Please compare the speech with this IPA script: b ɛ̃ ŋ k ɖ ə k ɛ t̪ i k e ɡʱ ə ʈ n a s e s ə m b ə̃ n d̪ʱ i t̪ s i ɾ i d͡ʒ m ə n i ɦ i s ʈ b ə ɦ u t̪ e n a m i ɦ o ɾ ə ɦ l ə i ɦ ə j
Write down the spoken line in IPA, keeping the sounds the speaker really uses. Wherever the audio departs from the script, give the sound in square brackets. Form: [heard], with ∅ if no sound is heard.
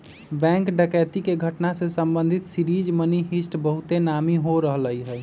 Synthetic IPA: b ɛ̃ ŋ k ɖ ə k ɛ t̪ i k e ɡʱ ə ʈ n a s e s ə m b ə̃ n d̪ʱ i t̪ s i ɾ i d͡ʒ m ə n i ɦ i s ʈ b ə ɦ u t̪ e n a m i ɦ o ɾ ə ɦ l ə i ɦ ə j